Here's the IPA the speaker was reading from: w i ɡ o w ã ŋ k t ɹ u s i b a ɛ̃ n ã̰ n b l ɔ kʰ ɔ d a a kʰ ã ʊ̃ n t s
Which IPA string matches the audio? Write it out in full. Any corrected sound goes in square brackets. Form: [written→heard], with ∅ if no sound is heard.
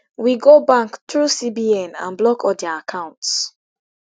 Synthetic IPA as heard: w i ɡ o [w→b] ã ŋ k t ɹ u s i b [a→i] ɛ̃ n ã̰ n b l ɔ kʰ ɔ d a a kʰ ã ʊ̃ n t s